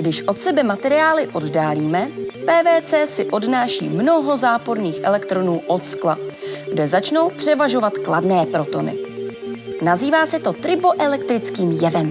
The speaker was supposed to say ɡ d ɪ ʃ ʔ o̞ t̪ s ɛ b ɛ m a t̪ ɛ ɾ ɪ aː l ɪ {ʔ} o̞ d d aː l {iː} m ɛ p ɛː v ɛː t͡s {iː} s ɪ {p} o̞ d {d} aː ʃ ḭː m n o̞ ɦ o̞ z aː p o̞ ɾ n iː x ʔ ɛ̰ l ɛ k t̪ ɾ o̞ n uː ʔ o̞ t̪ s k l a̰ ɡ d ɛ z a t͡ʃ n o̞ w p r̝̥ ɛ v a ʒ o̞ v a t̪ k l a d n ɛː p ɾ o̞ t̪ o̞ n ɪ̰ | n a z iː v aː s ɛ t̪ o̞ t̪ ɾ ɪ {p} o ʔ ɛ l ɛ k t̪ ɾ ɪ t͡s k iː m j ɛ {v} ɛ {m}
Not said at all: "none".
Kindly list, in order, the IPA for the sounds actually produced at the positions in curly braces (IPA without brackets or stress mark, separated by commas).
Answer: ʔ, iː, ɛː, ʔ, n, b, v, m